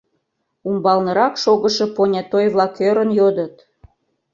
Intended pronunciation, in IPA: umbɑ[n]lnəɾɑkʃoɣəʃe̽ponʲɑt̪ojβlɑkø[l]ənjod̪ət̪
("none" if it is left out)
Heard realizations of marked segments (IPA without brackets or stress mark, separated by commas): none, ɾ